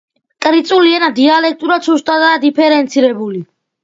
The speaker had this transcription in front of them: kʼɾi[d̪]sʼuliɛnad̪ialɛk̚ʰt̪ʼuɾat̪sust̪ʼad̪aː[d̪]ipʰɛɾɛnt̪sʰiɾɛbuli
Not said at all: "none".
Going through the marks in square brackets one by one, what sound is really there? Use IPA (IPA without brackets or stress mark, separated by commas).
t̪, d̪